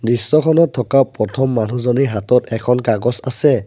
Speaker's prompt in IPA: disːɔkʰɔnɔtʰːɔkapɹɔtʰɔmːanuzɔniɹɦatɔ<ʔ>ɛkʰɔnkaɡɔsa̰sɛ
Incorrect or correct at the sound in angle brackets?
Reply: incorrect: t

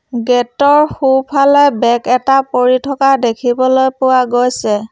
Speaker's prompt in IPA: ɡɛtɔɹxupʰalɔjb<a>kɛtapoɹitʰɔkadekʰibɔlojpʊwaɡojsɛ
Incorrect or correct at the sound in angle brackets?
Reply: incorrect: ɛ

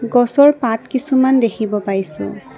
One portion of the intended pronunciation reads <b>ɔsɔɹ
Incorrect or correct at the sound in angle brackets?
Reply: incorrect: ɡ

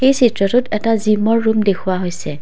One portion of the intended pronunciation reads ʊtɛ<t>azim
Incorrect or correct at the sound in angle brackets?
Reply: correct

